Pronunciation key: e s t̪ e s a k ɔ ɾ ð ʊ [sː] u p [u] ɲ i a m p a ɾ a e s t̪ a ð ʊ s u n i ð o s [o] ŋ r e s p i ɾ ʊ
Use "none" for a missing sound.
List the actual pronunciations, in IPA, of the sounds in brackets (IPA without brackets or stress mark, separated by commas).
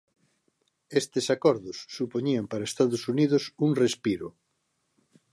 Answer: sː, o, u